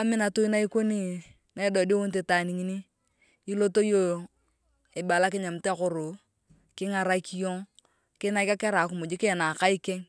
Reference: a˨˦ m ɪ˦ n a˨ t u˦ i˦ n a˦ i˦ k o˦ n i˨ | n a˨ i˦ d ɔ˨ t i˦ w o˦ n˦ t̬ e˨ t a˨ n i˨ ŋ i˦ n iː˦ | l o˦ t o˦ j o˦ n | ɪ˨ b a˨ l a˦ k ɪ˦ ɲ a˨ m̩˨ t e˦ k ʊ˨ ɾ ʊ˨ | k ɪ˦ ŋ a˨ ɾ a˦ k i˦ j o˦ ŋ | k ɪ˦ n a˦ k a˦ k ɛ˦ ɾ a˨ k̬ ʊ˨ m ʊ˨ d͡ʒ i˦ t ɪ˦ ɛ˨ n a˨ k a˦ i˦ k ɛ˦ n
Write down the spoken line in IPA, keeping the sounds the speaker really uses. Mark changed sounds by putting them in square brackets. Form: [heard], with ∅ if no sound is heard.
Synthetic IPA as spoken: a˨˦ m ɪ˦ n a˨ t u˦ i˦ n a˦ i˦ k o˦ n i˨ | n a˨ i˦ d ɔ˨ [d] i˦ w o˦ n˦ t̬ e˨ t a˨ n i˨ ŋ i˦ n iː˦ | l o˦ t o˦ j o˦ [∅] | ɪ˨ b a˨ l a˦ k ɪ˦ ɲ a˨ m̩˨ t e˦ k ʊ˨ ɾ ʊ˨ | k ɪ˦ ŋ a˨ ɾ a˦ k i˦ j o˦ ŋ | k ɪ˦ n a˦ k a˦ k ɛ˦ ɾ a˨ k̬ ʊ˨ m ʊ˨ d͡ʒ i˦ [k] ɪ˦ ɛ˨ n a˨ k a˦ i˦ k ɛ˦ [ŋ]

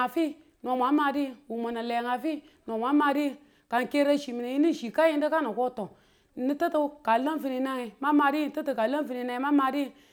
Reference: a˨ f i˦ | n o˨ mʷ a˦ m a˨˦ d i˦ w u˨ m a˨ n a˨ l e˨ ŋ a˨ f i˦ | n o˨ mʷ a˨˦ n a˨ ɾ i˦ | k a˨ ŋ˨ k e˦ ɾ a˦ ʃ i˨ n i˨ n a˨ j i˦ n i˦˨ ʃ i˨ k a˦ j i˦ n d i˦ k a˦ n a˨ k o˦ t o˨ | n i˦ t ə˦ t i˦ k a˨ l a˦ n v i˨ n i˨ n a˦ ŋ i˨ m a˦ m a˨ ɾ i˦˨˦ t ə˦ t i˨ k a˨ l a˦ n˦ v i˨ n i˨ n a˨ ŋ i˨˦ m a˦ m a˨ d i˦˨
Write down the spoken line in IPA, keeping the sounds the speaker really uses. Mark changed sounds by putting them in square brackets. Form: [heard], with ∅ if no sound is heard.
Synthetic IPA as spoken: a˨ f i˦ | n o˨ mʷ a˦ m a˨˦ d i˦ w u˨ m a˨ n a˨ l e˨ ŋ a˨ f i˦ | n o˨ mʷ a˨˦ [m] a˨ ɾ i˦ | k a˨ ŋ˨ k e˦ ɾ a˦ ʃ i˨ [m] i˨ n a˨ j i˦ n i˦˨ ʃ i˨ k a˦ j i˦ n d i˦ k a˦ n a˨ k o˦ t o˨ | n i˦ t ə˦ t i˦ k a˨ l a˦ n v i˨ n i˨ n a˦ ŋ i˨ m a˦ m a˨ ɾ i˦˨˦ t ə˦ t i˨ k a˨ l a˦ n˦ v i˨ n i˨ n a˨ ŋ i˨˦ m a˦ m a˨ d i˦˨

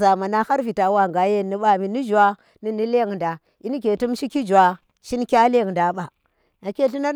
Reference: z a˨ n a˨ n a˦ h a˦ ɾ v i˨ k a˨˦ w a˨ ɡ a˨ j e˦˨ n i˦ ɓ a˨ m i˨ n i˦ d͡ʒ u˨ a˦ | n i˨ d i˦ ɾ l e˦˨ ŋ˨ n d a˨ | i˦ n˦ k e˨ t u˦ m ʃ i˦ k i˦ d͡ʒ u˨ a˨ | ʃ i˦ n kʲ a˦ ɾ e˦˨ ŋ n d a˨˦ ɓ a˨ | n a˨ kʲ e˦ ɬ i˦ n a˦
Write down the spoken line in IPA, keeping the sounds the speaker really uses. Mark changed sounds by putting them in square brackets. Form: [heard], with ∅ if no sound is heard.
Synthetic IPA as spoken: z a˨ [m] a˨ n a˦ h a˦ ɾ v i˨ [t] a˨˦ w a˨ ɡ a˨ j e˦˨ n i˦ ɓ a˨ m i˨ n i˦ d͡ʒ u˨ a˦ | n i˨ [n] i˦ [∅] l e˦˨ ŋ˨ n d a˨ | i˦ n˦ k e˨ t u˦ m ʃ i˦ k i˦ d͡ʒ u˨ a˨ | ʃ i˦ n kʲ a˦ [l] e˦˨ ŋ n d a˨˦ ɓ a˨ | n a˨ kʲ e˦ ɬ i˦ n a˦

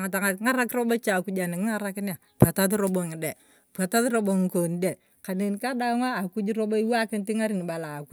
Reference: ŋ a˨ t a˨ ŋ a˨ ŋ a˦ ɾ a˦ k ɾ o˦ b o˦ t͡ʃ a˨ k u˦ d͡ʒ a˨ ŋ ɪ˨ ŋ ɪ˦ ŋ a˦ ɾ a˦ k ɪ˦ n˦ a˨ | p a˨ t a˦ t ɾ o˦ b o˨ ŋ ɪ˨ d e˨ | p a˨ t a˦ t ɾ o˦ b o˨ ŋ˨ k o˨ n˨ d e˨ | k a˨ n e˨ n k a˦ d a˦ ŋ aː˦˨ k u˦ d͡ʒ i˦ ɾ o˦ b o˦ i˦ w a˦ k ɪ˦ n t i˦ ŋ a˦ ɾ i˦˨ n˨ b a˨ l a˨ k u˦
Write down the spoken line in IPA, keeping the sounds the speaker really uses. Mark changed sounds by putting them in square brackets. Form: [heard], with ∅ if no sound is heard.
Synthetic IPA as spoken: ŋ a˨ t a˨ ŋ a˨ ŋ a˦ ɾ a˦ k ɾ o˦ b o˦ t͡ʃ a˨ k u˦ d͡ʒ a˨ [n] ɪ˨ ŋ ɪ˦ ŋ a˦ ɾ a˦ k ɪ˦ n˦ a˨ | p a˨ t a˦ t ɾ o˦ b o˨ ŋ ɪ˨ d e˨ | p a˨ t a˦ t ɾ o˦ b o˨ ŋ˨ k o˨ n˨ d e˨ | k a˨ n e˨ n k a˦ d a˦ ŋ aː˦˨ k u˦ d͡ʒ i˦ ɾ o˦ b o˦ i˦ w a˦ k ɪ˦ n t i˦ ŋ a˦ ɾ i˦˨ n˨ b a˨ l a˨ k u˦

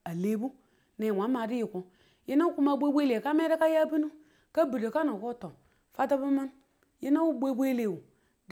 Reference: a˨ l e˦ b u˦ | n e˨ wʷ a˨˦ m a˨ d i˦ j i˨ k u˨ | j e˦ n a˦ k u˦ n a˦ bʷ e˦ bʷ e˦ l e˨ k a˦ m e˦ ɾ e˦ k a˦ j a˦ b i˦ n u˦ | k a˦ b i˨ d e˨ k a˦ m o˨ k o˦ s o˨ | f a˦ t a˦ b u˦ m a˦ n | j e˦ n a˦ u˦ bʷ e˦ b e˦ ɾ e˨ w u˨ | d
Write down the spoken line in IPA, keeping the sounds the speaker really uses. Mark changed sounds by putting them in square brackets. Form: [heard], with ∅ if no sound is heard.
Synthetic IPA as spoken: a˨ l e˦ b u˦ | n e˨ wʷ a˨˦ m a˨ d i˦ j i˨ k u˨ | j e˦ n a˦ k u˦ [m] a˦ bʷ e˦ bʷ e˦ l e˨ k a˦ m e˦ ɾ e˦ k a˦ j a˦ b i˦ n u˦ | k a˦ b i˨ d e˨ k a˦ [n] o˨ k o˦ [t] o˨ | f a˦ t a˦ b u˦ m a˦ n | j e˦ n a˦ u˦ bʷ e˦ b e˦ [l] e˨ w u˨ | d

